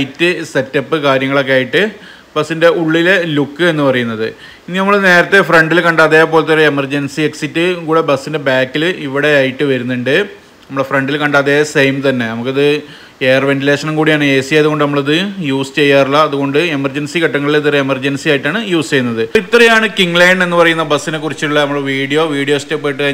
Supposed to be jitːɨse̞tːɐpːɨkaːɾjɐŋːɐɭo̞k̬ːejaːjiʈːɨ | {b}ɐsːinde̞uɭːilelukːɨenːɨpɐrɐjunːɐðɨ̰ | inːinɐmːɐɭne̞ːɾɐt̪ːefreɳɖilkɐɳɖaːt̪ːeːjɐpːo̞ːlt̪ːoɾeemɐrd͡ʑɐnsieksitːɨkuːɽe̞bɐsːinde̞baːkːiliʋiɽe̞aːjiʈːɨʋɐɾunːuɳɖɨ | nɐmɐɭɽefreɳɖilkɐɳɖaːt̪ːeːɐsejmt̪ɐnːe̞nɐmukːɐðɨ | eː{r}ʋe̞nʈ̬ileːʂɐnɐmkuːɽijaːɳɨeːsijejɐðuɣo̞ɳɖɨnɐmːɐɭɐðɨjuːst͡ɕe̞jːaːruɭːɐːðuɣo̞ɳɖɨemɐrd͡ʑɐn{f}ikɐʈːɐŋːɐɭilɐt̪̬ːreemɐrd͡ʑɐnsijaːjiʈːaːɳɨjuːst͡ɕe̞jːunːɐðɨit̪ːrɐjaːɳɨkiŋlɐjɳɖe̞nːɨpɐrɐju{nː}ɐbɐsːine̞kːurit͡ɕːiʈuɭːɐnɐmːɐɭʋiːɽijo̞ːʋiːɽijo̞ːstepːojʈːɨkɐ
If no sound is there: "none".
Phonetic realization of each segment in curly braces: b, r, s, nː

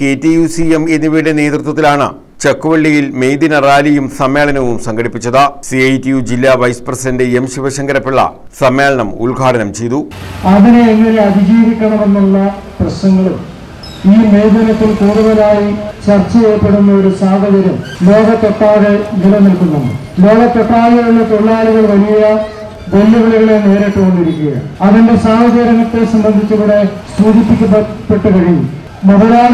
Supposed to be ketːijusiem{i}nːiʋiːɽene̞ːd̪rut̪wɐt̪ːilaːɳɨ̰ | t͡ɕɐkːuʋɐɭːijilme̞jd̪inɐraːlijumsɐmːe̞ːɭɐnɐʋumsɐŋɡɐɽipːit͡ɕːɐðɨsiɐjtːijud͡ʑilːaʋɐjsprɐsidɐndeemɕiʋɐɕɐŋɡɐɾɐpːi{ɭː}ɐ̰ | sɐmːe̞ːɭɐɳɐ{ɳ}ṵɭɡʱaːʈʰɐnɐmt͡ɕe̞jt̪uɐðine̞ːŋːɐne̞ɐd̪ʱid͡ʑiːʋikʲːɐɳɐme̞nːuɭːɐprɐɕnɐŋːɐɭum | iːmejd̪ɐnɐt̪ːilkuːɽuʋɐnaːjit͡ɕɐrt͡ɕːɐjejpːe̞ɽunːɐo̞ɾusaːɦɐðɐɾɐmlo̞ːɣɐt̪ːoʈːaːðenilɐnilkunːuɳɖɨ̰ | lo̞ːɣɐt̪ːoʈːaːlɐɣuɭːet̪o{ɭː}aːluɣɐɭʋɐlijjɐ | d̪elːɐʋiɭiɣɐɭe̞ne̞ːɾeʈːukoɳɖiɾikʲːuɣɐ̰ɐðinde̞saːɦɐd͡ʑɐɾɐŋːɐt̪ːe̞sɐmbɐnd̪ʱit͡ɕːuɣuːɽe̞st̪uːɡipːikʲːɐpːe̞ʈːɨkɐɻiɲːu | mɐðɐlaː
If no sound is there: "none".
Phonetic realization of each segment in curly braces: e, ɭː, m, ɭː

